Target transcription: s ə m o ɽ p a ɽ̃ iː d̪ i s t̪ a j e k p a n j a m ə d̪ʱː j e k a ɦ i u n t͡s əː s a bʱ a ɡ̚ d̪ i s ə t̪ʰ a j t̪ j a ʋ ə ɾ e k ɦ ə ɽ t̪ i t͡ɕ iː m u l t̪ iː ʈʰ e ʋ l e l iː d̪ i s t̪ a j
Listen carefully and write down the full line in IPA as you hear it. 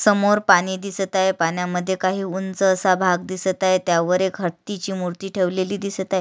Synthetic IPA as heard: s ə m o ɾ p a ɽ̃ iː d̪ i s t̪ a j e p a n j a m ə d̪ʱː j e k a ɦ iː u n t͡s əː s a bʱ a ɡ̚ d̪ i s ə t̪ a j t̪ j a ʋ ə ɾ e k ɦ ə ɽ t̪ i t͡ɕ iː m u ɾ t̪ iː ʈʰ e ʋ l e l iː d̪ i s t̪ a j